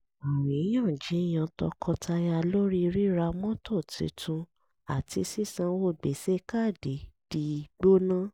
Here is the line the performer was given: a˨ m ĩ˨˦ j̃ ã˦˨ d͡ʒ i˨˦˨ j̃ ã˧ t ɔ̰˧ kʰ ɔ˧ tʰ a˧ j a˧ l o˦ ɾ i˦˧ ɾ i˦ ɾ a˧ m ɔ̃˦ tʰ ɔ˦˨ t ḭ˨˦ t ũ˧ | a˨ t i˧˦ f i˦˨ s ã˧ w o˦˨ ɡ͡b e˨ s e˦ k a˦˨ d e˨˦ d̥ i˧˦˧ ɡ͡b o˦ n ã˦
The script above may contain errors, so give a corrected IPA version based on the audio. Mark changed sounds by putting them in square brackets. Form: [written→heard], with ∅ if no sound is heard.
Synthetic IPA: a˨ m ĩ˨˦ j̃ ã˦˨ d͡ʒ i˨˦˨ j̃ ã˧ t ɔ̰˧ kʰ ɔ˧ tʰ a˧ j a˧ l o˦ ɾ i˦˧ ɾ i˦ ɾ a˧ m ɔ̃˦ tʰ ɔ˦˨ t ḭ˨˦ t ũ˧ | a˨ t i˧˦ [f→s] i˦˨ s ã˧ w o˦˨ ɡ͡b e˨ s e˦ k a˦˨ d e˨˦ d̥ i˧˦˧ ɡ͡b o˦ n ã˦

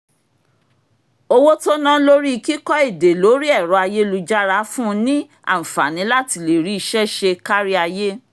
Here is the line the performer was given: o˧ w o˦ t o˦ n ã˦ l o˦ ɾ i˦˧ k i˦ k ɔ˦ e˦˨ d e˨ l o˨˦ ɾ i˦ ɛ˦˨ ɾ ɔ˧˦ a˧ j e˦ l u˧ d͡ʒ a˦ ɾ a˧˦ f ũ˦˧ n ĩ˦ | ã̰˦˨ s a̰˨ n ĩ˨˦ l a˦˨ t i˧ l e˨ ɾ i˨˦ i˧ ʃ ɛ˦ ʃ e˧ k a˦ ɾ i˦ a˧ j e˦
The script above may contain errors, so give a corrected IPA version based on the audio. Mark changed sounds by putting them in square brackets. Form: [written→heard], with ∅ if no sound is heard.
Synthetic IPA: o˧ w o˦ t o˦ n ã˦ l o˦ ɾ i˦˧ k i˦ k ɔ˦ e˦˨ d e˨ l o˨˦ ɾ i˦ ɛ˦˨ ɾ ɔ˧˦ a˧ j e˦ l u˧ d͡ʒ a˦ ɾ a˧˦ f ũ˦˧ n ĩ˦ | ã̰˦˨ [s→f] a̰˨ n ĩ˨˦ l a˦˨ t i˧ l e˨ ɾ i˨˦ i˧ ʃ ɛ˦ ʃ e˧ k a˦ ɾ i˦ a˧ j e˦

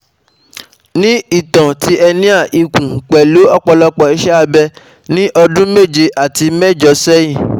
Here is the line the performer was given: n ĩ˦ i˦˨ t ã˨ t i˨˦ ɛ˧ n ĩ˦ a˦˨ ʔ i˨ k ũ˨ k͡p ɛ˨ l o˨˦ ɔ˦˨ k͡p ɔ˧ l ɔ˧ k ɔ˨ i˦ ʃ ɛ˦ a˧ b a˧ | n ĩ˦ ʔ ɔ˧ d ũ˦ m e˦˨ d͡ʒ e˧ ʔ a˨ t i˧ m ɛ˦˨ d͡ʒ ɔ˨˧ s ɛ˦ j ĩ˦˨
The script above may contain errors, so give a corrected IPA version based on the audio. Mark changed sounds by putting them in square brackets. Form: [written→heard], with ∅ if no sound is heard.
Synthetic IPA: n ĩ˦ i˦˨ t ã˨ t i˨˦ ɛ˧ n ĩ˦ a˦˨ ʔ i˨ k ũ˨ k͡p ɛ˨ l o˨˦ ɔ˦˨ k͡p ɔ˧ l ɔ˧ [k→k͡p] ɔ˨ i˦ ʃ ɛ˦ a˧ b [a˧→ɛ˧] | n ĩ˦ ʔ ɔ˧ d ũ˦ m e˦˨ d͡ʒ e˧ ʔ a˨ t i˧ m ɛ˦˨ d͡ʒ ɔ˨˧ s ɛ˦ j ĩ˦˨

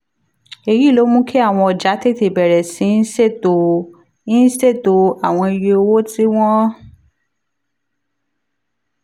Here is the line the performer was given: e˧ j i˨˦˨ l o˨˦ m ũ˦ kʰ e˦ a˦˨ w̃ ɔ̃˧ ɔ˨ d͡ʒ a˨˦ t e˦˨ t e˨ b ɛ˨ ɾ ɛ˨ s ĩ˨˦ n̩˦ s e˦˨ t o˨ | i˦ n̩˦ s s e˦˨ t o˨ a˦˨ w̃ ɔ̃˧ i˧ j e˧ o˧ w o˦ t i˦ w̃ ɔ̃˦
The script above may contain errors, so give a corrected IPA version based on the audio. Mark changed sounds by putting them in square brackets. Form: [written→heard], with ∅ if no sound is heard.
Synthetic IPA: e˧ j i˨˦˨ l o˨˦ m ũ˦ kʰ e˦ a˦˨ w̃ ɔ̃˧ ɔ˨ d͡ʒ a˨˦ t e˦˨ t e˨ b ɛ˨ ɾ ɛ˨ s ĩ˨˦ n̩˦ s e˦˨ t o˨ | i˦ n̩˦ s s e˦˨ t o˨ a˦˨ w̃ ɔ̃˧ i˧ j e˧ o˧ w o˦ t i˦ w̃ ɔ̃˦

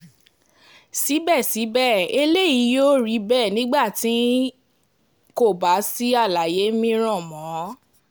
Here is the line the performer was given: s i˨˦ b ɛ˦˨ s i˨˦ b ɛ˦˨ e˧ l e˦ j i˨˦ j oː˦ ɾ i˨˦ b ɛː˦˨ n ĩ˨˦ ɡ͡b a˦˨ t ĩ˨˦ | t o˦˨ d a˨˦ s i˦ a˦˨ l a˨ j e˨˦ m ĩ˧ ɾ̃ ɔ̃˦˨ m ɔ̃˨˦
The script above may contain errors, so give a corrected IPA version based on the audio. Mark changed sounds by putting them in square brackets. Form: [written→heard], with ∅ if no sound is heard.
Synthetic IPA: s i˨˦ b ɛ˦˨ s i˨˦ b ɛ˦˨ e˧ l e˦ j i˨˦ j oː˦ ɾ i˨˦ b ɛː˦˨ n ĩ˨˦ ɡ͡b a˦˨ t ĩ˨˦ | [t→k] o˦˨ [d→b] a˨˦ s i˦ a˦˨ l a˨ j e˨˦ m ĩ˧ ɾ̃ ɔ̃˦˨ m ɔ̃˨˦

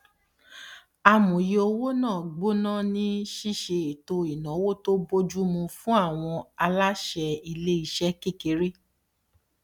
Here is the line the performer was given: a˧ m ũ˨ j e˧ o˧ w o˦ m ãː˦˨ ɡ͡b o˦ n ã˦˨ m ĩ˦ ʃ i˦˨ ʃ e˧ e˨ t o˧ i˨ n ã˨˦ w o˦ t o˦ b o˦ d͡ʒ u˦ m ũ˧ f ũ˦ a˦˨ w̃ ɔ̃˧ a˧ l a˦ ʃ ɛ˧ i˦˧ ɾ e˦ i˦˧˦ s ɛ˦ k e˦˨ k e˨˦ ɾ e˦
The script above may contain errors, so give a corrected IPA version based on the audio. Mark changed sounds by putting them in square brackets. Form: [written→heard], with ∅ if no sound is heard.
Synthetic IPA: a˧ m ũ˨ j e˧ o˧ w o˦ [m→n] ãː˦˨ ɡ͡b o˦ n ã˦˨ [m→n] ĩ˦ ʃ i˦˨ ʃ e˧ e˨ t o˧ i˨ n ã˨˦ w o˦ t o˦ b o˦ d͡ʒ u˦ m ũ˧ f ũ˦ a˦˨ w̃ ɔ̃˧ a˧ l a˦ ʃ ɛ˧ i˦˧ [ɾ→l] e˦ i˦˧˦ [s→ʃ] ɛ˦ k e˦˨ k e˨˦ ɾ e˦

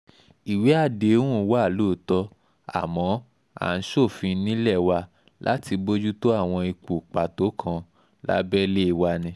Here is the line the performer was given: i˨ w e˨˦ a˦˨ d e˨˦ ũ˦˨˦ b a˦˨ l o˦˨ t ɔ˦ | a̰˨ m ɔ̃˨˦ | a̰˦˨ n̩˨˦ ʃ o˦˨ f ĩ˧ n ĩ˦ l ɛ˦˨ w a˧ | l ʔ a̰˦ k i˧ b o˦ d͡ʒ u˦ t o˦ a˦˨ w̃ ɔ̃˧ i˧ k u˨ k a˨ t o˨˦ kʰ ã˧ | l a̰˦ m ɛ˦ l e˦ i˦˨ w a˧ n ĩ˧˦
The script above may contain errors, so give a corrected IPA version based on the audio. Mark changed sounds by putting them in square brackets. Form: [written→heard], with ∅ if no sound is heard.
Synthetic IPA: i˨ w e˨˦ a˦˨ d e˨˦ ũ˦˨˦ [b→w] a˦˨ l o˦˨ t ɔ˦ | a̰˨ m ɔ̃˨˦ | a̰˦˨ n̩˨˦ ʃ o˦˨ f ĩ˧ n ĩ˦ l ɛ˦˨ w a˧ | l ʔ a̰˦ [k→t] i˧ b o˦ d͡ʒ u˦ t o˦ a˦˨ w̃ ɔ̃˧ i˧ [k→k͡p] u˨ [k→k͡p] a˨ t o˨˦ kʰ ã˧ | l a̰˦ [m→b] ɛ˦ l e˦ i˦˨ w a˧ n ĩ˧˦

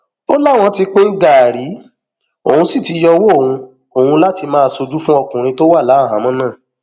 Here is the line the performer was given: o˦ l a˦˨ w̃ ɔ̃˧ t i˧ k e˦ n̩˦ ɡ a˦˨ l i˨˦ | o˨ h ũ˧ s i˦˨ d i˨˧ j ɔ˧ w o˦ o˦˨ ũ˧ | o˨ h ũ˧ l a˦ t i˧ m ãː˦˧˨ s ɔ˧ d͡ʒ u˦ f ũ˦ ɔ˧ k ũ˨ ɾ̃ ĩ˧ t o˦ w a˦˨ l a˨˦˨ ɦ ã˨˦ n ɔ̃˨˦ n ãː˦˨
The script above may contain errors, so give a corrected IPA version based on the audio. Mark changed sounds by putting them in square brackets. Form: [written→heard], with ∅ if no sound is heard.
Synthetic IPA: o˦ l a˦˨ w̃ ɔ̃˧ t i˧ [k→k͡p] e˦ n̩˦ ɡ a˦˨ [l→ɾ] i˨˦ | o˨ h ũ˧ s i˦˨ [d→t] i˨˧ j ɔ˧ w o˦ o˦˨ ũ˧ | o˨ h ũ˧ l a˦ t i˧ m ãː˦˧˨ s [ɔ˧→o˧] d͡ʒ u˦ f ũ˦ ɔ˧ k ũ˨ ɾ̃ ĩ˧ t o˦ w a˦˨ l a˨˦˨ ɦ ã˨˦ [n→m] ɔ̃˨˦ n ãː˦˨

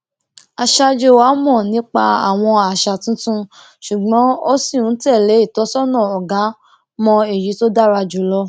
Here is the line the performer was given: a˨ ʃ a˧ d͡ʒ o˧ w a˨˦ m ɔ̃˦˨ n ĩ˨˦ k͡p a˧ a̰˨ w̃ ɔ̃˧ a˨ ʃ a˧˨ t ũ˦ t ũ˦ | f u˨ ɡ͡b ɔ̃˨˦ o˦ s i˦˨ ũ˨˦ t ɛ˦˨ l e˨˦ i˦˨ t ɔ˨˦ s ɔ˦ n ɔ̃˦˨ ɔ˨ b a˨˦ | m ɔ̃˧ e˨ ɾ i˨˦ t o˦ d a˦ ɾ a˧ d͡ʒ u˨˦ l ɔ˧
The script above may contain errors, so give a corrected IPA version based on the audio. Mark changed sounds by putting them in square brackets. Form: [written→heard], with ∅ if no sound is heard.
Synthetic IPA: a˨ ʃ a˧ d͡ʒ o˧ w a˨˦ m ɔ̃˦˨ n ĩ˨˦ k͡p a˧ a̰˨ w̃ ɔ̃˧ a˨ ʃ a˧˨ t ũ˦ t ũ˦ | [f→ʃ] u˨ ɡ͡b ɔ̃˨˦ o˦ s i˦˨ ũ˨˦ t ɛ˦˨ l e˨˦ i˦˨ t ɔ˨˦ s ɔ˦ n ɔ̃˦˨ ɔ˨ [b→ɡ] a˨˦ | m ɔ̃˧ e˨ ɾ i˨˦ t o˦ d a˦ ɾ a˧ d͡ʒ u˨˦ l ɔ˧

